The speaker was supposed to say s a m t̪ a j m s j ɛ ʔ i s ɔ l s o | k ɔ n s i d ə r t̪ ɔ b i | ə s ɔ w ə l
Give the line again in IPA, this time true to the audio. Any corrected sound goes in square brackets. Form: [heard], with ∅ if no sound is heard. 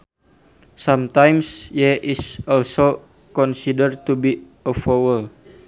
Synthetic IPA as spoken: s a m t̪ a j m s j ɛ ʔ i s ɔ l s o | k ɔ n s i d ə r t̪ [u] b i | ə [f] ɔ w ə l

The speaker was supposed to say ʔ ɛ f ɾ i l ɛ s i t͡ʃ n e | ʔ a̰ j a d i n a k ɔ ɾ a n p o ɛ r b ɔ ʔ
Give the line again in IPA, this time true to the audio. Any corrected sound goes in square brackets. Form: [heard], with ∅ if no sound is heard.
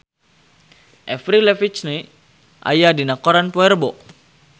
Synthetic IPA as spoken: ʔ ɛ f ɾ i l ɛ [f] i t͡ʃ n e | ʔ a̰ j a d i n a k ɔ ɾ a n p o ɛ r b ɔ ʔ

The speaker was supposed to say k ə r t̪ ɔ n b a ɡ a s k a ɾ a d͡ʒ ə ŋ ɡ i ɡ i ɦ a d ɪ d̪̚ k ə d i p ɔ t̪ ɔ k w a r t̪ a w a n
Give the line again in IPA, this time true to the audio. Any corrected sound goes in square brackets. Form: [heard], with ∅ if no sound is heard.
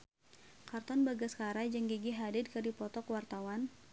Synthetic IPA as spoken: k [a] r t̪ ɔ n b a ɡ a s k a ɾ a d͡ʒ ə ŋ ɡ i ɡ i ɦ a d ɪ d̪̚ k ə d i p ɔ t̪ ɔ k w a r t̪ a w a n

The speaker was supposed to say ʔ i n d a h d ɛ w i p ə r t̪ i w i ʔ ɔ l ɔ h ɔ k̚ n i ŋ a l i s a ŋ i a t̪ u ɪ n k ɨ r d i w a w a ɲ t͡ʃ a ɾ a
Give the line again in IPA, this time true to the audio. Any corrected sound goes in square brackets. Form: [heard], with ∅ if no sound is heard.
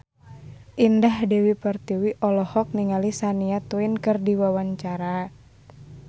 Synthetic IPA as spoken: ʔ i n d a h d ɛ w i p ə r t̪ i w i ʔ ɔ l ɔ h ɔ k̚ n i ŋ a l i s a [n] i a t̪ u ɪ n k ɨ r d i w a w a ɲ t͡ʃ a ɾ a

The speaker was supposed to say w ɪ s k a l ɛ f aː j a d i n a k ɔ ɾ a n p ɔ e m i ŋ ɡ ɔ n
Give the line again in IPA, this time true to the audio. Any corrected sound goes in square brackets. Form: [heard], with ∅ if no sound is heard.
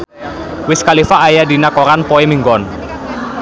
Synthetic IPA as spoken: w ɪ s k a l [i] f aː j a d i n a k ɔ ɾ a n p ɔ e m i ŋ ɡ ɔ n

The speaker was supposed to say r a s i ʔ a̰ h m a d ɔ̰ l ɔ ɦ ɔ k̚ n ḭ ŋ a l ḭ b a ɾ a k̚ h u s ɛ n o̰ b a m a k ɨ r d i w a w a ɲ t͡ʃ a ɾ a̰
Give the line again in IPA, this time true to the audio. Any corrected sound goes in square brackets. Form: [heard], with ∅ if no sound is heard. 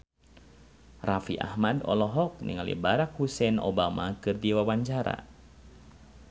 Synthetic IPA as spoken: r a [f] i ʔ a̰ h m a d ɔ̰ l ɔ ɦ ɔ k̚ n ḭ ŋ a l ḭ b a ɾ a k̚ h u s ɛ n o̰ b a m a k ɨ r d i w a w a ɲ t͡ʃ a ɾ a̰

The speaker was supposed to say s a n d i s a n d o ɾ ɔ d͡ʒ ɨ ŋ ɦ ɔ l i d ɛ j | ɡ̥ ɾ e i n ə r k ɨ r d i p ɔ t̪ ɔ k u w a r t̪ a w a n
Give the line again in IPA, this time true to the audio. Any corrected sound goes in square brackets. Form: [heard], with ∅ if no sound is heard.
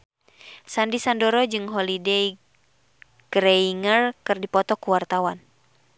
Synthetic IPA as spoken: s a n d i s a n d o ɾ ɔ d͡ʒ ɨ ŋ ɦ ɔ l i d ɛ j | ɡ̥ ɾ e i [ŋ] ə r k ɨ r d i p ɔ t̪ ɔ k u w a r t̪ a w a n

